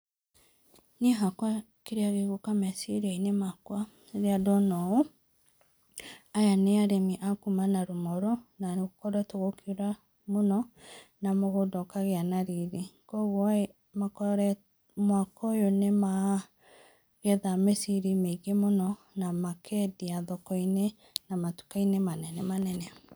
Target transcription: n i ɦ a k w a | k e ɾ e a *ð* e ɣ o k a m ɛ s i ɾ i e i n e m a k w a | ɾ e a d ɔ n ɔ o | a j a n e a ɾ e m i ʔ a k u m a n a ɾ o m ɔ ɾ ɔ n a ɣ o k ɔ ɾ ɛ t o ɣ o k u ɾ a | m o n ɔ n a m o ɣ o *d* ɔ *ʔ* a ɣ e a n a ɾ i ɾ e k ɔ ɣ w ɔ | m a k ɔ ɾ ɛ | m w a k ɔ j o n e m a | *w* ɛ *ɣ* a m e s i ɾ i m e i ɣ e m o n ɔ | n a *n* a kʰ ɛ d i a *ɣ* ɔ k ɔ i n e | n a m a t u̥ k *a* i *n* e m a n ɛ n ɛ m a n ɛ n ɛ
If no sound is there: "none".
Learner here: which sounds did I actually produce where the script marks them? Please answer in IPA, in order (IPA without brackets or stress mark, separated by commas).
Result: ɣ, d, k, ɣ, ð, m, ð, a, n